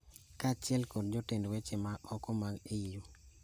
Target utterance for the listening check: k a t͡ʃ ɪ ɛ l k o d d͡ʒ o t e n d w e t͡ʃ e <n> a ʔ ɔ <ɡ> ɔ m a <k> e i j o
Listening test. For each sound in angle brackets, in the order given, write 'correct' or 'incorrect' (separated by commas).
incorrect, incorrect, incorrect